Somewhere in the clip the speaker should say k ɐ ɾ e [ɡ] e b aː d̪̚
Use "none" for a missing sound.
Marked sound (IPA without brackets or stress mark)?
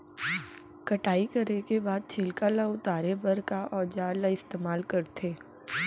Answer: k